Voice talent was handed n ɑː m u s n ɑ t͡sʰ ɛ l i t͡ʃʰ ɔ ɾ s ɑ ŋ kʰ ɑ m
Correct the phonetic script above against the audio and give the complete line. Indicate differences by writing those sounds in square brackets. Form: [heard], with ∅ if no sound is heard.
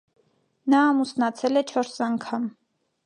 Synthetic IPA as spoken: n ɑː m u s n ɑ t͡sʰ ɛ l [ɛ] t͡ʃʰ ɔ ɾ s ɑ ŋ kʰ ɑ m